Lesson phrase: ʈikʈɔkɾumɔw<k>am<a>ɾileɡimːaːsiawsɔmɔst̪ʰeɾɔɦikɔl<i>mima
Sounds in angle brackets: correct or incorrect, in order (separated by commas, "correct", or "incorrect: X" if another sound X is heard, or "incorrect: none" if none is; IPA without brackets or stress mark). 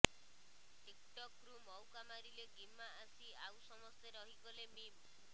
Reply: correct, correct, incorrect: e